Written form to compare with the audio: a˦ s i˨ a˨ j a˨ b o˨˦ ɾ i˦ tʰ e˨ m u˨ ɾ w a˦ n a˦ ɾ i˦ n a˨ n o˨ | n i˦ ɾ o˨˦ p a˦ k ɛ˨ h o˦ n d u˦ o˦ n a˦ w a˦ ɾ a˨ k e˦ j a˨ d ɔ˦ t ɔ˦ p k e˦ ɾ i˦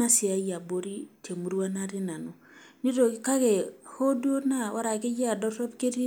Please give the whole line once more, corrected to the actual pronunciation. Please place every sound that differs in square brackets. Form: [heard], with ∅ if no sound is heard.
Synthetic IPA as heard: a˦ s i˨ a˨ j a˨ b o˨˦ ɾ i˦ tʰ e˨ m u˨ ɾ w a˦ n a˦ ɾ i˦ n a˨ n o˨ | n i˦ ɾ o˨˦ [k] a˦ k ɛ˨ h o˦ [∅] d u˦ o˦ n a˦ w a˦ ɾ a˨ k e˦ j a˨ d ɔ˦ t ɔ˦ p k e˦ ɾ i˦